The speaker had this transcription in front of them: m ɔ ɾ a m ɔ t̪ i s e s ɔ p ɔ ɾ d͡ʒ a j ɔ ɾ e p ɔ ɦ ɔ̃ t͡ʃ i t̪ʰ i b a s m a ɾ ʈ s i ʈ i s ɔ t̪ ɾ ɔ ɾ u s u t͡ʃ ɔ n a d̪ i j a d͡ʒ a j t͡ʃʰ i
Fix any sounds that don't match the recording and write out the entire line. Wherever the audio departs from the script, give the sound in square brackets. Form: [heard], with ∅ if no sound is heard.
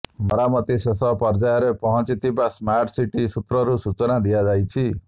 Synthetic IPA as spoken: m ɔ ɾ a m ɔ t̪ i s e s ɔ p ɔ ɾ d͡ʒ a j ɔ ɾ e p ɔ ɦ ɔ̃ t͡ʃ i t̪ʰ i b a s m a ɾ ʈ s i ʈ i s [u] t̪ ɾ ɔ ɾ u s u t͡ʃ ɔ n a d̪ i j a d͡ʒ a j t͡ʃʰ i